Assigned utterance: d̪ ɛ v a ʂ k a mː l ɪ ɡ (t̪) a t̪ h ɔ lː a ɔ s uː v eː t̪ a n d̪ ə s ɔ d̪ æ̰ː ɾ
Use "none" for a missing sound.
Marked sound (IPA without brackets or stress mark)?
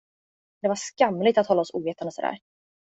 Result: t̪